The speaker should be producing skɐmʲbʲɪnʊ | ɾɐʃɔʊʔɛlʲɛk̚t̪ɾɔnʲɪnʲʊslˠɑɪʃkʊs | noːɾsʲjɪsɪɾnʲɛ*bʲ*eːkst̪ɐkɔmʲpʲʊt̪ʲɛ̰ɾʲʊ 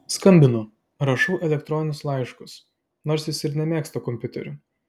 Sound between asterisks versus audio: incorrect: mʲ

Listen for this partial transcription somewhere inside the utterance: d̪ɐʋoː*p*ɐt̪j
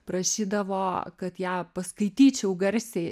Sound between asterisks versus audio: incorrect: k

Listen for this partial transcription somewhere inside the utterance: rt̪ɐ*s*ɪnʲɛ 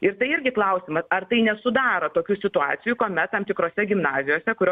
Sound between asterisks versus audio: incorrect: none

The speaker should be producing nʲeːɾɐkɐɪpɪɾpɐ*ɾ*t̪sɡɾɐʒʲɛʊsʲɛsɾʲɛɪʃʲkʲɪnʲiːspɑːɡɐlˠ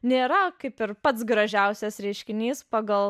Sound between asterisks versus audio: incorrect: none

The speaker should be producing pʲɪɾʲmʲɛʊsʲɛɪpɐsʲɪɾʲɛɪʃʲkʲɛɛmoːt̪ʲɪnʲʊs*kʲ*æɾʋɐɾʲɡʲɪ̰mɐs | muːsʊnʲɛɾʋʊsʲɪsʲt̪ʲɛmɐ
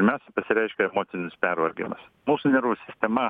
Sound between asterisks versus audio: incorrect: pʲ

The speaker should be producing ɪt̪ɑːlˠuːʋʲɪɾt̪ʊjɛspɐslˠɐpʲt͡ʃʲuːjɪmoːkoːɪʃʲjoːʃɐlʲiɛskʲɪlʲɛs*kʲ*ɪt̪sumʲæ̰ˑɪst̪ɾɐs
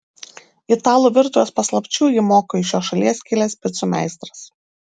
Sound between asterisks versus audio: incorrect: pʲ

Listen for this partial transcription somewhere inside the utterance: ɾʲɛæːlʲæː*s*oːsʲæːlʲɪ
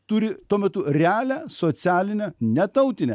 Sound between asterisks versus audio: correct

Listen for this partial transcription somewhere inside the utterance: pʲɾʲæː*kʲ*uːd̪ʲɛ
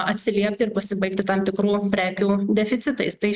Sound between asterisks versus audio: correct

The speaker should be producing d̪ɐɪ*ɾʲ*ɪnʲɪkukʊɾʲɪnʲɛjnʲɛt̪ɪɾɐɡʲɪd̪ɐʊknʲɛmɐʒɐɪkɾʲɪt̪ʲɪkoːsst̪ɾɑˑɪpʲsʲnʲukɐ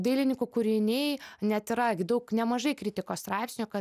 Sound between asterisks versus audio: incorrect: lʲ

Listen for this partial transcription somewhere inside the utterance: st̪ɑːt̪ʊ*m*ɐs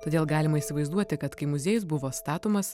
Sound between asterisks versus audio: correct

